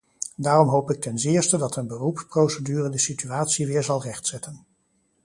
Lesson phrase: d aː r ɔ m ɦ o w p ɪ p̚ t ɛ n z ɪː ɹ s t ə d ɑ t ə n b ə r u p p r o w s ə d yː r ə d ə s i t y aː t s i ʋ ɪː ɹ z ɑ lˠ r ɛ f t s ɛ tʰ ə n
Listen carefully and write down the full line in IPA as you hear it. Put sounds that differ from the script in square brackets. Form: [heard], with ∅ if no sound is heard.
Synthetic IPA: d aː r ɔ m ɦ o w p ɪ [k̚] t ɛ n z ɪː ɹ s t ə d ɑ t ə n b ə r u p p r o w s ə d yː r ə d ə s i t y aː t s i ʋ ɪː ɹ z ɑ lˠ r ɛ [χ] t s ɛ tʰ ə n